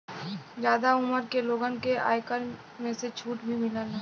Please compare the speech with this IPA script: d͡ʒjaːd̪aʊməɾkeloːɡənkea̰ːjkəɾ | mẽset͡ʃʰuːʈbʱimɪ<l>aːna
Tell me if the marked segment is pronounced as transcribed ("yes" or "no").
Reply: yes